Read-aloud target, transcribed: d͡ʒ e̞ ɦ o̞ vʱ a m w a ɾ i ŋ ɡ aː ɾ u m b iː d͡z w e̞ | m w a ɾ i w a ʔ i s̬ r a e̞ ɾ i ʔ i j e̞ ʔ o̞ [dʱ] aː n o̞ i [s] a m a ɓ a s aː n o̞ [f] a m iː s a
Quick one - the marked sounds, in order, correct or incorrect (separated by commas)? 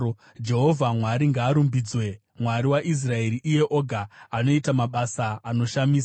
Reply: incorrect, incorrect, incorrect